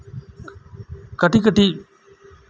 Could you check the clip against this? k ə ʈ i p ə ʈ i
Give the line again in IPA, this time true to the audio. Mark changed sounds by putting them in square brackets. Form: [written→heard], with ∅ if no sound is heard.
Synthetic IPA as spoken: k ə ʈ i [p→k] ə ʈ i